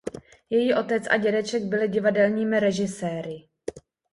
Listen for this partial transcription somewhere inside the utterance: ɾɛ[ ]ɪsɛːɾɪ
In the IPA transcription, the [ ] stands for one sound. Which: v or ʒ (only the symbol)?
ʒ